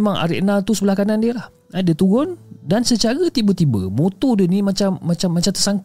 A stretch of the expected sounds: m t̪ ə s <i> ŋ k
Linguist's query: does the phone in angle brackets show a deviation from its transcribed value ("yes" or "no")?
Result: yes